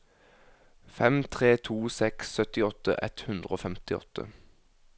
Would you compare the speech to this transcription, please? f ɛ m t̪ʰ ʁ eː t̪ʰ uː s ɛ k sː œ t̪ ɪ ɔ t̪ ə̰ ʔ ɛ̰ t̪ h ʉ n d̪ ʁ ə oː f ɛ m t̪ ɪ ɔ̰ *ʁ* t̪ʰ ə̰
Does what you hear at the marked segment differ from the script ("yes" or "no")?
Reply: yes